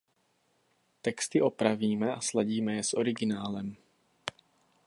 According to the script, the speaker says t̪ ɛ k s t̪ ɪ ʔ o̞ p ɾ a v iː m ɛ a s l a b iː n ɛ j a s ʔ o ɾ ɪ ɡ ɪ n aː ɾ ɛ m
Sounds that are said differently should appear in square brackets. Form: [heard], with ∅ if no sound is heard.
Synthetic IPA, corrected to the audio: t̪ ɛ k s t̪ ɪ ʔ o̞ p ɾ a v iː m ɛ a s l a [ɟ] iː [m] ɛ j [ɛ] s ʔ o ɾ ɪ ɡ ɪ n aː [l] ɛ m